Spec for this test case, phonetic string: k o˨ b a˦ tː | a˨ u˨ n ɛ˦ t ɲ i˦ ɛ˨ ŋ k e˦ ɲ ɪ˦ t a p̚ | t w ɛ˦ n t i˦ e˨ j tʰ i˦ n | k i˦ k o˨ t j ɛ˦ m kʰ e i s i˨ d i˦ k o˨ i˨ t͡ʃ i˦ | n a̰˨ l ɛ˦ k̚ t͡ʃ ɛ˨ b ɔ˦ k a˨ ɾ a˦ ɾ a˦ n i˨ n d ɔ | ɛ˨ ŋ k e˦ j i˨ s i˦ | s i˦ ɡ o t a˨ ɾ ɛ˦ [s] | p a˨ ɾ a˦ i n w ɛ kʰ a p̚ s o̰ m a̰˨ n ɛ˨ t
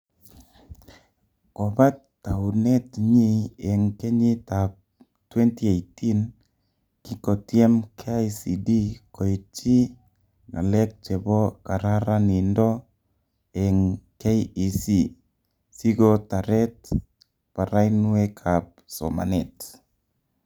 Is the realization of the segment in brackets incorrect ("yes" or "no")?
yes